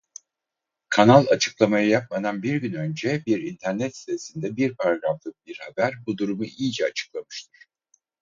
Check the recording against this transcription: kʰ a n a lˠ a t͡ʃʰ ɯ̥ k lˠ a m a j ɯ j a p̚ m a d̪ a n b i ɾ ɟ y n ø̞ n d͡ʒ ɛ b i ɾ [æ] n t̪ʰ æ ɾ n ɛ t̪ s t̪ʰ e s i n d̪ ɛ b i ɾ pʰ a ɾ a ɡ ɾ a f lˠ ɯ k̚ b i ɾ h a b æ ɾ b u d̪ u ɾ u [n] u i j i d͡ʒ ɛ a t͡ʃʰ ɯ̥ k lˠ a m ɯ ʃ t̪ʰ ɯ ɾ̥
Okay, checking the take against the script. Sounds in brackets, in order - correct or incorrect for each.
incorrect, incorrect

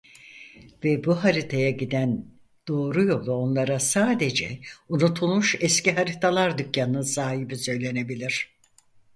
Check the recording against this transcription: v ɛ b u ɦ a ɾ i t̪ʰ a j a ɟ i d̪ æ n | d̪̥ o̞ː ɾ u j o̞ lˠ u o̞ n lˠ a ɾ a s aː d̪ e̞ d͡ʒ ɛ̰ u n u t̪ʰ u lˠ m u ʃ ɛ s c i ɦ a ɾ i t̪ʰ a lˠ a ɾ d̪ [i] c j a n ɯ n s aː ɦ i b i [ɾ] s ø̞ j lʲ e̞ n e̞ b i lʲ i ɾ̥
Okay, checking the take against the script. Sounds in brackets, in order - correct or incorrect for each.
incorrect, incorrect

